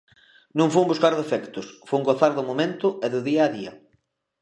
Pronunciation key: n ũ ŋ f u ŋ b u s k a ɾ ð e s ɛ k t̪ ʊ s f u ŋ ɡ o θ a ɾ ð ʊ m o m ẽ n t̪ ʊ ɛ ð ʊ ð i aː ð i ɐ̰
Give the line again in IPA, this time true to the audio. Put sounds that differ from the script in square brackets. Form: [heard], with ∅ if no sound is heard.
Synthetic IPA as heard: n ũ ŋ f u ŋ b u s k a ɾ ð e [f] ɛ k t̪ ʊ s f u ŋ ɡ o θ a ɾ ð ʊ m o m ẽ n t̪ ʊ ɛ ð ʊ ð i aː ð i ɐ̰